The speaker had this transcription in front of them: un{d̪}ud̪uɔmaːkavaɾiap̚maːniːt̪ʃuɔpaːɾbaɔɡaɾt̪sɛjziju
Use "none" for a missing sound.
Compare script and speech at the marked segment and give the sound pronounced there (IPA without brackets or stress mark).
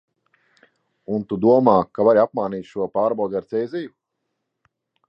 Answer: t̪